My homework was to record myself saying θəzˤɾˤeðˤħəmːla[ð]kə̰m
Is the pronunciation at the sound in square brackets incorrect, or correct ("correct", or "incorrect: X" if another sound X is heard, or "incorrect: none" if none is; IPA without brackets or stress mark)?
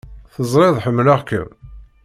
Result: incorrect: ʁ